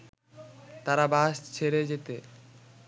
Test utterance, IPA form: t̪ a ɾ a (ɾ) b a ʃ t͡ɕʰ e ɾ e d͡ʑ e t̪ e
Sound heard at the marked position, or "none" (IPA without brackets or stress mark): none